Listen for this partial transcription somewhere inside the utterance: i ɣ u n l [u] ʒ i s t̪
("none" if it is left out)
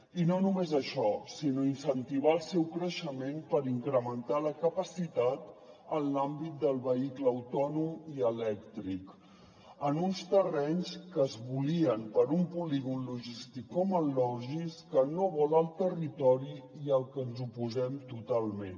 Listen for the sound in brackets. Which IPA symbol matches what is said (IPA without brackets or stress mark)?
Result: u